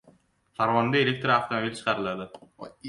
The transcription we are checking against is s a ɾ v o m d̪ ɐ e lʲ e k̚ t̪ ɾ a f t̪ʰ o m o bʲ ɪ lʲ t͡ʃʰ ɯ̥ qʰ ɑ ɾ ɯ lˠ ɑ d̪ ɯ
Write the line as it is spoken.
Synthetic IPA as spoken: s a ɾ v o n d̪ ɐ e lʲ e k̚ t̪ ɾ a f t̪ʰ o m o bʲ i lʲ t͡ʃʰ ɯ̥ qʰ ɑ ɾ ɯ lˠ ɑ d̪ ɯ